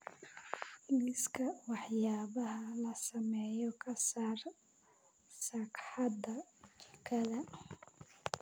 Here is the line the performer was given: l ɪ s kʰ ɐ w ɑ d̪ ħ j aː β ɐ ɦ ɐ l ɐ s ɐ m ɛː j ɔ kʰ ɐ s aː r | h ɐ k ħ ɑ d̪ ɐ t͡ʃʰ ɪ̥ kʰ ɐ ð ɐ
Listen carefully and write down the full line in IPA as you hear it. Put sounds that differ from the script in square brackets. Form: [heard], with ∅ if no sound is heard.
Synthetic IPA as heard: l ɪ s kʰ ɐ w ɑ [∅] ħ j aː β ɐ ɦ ɐ l ɐ s ɐ m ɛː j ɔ kʰ ɐ s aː r | [s] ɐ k ħ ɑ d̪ ɐ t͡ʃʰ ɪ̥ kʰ ɐ ð ɐ